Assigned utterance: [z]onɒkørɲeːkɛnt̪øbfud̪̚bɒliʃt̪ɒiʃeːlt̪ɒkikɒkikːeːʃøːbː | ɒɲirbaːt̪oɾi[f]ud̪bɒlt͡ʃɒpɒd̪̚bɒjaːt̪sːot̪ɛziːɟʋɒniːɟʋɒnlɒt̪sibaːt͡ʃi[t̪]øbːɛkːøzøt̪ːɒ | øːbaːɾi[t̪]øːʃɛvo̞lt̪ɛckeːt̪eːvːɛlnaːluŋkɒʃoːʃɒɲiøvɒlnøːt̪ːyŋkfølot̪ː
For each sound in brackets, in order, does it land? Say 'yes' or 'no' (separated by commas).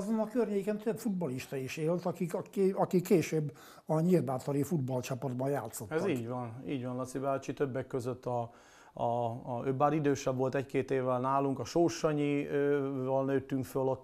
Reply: yes, yes, yes, no